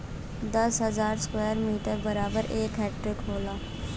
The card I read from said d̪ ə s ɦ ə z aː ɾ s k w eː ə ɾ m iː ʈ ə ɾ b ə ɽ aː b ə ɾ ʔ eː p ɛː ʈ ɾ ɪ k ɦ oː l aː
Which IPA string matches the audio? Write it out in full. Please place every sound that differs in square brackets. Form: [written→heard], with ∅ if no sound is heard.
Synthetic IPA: d̪ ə s ɦ ə z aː ɾ s k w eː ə ɾ m iː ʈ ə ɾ b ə [ɽ→ɾ] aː b ə ɾ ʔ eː [p→k] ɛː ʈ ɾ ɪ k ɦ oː l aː